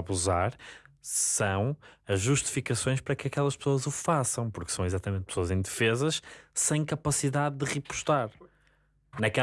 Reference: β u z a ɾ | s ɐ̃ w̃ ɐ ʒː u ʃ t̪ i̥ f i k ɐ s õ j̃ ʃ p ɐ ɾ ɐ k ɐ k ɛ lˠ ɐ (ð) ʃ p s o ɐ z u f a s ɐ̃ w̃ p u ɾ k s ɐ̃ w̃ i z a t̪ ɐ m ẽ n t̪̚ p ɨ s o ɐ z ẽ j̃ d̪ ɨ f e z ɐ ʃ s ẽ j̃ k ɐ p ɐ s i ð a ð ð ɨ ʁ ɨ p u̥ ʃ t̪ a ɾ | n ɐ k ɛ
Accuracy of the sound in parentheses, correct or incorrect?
incorrect